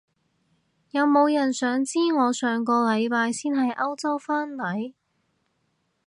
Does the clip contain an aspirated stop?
no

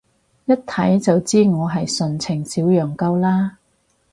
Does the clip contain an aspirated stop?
yes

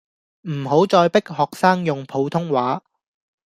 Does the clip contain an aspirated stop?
yes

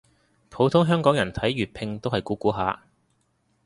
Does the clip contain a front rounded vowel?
yes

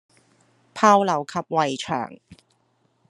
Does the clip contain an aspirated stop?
yes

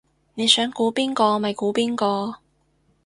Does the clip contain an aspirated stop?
no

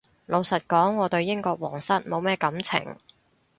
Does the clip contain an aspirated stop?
yes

